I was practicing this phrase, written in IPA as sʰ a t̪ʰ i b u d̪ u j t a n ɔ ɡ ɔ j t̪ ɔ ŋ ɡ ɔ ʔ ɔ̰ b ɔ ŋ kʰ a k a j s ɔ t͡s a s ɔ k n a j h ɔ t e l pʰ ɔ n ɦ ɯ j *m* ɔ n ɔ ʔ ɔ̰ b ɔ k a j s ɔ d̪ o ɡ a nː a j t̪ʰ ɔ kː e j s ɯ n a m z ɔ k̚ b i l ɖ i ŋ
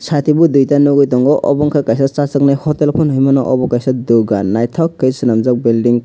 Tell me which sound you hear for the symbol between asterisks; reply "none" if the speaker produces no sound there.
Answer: m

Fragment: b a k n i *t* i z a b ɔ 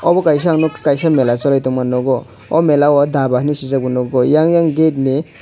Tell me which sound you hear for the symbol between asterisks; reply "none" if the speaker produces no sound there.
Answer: s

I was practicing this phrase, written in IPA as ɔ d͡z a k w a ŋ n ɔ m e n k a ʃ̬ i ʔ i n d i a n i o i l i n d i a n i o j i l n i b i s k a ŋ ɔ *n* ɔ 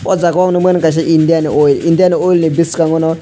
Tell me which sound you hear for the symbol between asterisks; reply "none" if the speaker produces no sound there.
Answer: n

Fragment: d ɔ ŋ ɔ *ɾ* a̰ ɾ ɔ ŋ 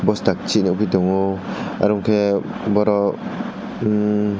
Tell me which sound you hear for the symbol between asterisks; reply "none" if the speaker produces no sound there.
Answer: none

